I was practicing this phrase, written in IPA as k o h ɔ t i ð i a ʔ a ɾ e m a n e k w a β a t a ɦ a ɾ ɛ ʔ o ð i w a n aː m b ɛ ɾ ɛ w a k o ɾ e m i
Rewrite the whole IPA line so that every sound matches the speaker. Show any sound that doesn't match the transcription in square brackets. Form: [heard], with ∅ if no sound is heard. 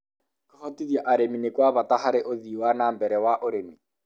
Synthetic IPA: k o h ɔ t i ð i a ʔ a ɾ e m [i] n e k w a β a t a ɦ a ɾ [e] ʔ o ð i w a n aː m b ɛ ɾ ɛ w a [ʔ] o ɾ e m i